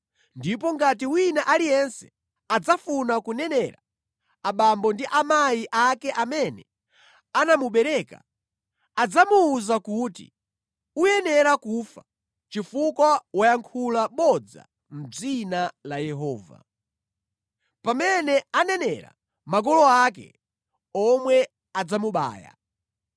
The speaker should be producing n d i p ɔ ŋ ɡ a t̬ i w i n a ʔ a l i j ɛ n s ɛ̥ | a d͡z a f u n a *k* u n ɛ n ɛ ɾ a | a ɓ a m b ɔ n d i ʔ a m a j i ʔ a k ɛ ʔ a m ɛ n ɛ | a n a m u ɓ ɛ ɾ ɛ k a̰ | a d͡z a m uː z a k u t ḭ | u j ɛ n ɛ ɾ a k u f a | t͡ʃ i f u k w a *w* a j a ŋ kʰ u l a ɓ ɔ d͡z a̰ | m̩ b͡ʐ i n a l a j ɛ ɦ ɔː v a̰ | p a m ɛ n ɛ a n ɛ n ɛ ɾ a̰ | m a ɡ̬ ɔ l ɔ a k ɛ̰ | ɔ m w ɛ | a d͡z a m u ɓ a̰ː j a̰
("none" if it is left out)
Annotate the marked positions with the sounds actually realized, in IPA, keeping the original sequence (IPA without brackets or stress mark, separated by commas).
k, w